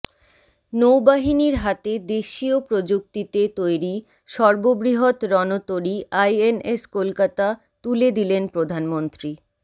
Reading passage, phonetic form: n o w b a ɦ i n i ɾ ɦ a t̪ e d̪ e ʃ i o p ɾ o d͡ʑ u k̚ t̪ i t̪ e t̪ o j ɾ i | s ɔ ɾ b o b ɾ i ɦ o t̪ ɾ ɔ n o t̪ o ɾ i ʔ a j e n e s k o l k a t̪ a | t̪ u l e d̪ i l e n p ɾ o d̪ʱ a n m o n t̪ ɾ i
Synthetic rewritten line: n o w b a ɦ i n i ɾ ɦ a t̪ e d̪ e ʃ i o p ɾ o d͡ʑ u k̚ t̪ i t̪ e t̪ o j ɾ i | ʃ ɔ ɾ b o b ɾ i ɦ o t̪ ɾ ɔ n o t̪ o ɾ i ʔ a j e n e s k o l k a t̪ a | t̪ u l e d̪ i l e n p ɾ o d̪ʱ a n m o n t̪ ɾ i